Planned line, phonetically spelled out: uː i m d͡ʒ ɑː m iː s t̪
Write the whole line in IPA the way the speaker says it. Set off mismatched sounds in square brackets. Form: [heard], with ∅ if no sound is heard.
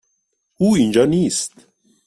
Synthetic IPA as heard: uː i [n] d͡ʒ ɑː [n] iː s t̪